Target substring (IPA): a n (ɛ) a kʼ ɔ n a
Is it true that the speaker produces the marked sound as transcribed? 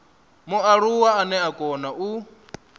yes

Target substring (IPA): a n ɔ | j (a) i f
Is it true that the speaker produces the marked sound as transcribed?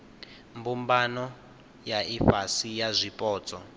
yes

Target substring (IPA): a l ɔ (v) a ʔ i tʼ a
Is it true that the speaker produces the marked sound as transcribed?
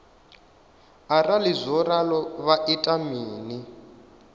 no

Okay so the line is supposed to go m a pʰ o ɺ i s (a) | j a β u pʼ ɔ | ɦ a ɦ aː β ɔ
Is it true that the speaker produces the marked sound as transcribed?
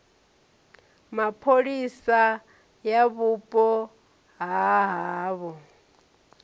yes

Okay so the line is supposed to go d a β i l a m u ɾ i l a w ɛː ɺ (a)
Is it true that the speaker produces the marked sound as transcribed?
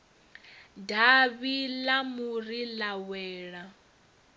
yes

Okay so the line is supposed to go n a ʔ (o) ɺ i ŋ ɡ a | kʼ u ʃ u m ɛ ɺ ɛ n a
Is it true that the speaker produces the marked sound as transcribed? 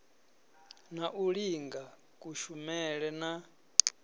no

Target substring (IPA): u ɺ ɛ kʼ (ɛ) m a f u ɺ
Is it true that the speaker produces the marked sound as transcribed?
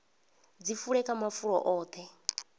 no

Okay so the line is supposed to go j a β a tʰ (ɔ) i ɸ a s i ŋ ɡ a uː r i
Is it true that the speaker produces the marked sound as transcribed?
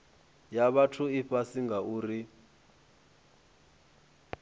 no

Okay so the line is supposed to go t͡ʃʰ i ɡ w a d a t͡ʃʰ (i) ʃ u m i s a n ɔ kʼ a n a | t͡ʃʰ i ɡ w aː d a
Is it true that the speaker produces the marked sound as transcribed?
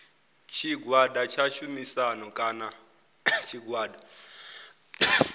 no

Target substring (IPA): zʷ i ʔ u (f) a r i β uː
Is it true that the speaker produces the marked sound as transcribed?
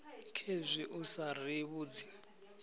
no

